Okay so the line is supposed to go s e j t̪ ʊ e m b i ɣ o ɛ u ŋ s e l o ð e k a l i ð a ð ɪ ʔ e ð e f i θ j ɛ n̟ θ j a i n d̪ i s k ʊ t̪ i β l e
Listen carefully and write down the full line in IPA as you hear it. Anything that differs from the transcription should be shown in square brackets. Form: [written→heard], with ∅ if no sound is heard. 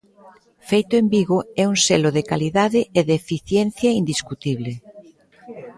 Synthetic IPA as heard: [s→f] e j t̪ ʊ e m b i ɣ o ɛ u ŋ s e l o ð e k a l i ð a ð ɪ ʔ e ð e f i θ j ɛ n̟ θ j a i n d̪ i s k [ʊ→u] t̪ i β l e